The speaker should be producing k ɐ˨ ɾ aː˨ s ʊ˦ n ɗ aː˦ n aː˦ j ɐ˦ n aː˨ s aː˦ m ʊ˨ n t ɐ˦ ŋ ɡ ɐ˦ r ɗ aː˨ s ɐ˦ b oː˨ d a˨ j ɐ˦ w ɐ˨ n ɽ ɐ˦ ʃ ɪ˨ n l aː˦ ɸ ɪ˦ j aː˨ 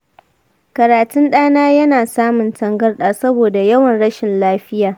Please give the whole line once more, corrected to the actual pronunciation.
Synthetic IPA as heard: k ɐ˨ ɾ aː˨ t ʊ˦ n ɗ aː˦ n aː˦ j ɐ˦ n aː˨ s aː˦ m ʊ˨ n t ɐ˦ ŋ ɡ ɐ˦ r ɗ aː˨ s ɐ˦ b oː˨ d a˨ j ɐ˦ w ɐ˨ n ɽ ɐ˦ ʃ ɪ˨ n l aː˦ ɸ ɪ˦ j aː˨